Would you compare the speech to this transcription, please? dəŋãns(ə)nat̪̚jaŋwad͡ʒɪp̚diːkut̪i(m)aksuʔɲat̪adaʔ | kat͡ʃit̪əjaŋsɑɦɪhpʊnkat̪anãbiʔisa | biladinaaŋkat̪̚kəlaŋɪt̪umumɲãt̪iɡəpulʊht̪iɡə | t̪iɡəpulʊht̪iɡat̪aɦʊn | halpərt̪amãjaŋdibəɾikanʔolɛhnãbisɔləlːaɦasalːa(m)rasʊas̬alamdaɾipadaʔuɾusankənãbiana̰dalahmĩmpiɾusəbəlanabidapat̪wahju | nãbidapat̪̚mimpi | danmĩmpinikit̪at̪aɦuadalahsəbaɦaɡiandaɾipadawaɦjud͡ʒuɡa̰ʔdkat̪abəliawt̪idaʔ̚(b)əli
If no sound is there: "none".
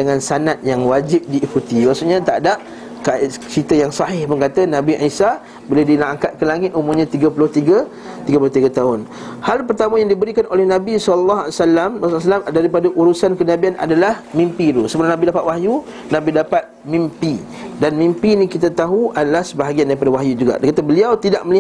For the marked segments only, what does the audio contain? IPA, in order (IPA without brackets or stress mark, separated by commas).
a, m, m, m